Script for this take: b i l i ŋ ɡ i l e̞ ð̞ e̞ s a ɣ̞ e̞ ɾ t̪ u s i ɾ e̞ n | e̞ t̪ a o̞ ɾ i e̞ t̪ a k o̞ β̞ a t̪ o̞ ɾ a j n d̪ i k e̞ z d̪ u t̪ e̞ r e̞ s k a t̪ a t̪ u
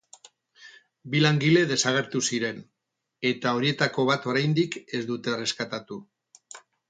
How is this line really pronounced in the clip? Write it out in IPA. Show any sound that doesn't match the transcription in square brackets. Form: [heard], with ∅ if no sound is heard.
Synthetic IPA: b i l [a] ŋ ɡ i l e̞ ð̞ e̞ s a ɣ̞ e̞ ɾ t̪ u s i ɾ e̞ n | e̞ t̪ a o̞ ɾ i e̞ t̪ a k o̞ β̞ a t̪ o̞ ɾ a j n d̪ i k e̞ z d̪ u t̪ e̞ r e̞ s k a t̪ a t̪ u